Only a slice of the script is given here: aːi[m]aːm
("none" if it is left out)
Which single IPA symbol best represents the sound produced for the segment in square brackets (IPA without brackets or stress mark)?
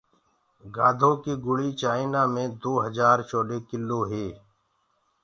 n